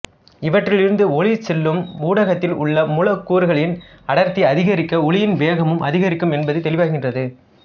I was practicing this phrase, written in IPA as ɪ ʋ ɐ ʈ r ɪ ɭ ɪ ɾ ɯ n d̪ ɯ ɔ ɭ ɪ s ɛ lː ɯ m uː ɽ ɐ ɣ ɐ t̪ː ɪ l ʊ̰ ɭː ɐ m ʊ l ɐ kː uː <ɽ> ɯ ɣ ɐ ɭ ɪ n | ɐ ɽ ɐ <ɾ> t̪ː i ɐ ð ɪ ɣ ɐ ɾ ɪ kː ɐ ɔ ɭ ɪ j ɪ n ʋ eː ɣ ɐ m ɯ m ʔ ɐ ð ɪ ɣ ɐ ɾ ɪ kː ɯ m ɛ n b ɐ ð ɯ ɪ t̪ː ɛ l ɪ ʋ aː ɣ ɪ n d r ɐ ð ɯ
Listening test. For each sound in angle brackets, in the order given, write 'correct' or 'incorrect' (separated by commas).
incorrect, correct